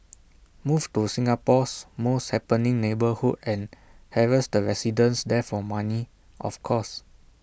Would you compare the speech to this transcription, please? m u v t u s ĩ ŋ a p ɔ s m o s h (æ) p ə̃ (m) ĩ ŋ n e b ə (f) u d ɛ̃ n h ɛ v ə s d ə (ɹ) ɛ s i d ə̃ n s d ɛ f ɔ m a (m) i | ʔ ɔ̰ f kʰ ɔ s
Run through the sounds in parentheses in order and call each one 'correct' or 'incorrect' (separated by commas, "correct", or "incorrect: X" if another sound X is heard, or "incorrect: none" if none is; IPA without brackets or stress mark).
incorrect: ɛ, incorrect: n, incorrect: h, correct, incorrect: n